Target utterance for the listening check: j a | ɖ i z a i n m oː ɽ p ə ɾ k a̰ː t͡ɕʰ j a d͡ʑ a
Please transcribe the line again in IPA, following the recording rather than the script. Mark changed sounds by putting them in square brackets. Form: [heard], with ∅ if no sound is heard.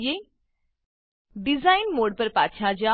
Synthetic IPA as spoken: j [e] | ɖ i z a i n m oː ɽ p ə ɾ [p] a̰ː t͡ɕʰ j a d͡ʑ a